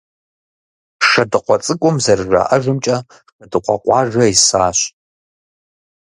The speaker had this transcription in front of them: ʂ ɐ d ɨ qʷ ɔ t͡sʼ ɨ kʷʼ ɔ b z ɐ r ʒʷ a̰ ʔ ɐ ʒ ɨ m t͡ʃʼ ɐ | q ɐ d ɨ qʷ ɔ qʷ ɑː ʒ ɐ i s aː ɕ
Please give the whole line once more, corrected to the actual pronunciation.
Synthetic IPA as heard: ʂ ɐ d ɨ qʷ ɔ t͡sʼ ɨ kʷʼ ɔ m z ɐ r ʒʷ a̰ ʔ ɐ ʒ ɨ m t͡ʃʼ ɐ | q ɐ d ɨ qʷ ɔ qʷ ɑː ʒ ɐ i s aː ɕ